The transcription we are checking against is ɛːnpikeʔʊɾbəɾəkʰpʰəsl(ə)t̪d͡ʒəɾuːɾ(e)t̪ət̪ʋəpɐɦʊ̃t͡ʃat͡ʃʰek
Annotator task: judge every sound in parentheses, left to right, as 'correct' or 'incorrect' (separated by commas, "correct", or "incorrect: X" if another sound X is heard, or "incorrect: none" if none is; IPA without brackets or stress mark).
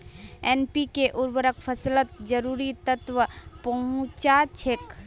correct, incorrect: i